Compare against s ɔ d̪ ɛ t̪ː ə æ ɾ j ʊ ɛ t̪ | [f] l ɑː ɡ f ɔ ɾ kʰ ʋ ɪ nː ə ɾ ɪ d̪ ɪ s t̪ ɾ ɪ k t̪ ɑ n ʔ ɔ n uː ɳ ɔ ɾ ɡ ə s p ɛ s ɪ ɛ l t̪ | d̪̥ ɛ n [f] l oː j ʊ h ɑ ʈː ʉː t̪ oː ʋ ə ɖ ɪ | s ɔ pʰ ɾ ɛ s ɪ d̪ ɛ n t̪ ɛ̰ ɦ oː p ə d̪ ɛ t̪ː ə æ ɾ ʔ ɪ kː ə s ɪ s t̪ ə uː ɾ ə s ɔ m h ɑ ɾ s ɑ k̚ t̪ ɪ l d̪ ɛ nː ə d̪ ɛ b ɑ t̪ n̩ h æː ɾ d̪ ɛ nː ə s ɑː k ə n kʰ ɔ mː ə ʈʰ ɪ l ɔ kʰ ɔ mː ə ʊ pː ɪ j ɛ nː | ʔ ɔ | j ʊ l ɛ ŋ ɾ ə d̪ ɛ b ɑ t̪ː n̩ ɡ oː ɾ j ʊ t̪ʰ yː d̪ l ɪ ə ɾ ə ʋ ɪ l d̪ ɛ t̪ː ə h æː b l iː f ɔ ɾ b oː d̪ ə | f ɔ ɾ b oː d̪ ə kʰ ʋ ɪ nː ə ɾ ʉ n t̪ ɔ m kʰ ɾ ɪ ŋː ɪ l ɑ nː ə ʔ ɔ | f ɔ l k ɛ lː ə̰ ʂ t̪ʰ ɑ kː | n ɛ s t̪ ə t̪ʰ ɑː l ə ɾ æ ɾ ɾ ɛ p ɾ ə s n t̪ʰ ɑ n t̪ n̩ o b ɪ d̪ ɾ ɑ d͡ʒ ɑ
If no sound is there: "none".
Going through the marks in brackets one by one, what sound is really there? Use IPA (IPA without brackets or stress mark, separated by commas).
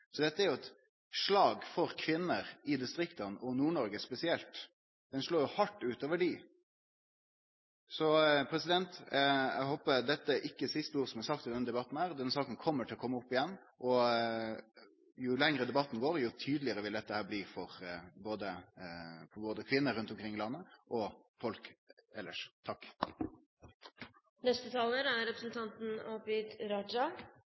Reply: ʂ, ʂ